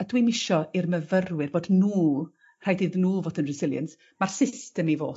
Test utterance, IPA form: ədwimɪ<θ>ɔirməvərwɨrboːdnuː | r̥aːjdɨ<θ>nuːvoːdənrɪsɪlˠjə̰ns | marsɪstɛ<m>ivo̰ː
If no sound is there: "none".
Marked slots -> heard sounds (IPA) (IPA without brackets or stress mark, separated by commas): ʃ, ð, m